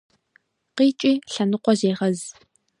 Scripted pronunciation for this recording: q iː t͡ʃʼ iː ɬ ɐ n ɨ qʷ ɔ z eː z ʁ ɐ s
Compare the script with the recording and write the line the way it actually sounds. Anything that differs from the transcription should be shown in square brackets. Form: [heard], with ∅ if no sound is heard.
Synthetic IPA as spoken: q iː t͡ʃʼ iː ɬ ɐ n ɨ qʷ ɔ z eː [∅] ʁ ɐ [z]